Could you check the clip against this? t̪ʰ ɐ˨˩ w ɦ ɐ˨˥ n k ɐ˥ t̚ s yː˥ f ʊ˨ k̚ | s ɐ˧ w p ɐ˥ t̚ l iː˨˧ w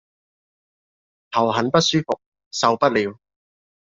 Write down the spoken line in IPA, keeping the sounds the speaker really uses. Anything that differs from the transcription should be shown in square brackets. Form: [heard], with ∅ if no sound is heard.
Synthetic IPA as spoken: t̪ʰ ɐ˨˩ w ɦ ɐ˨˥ n [p] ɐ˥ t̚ s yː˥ f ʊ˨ k̚ | s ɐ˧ w p ɐ˥ t̚ l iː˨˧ w